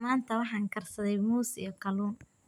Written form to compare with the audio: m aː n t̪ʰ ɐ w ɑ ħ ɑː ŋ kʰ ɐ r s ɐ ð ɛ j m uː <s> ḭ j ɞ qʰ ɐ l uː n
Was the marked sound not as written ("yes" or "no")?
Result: no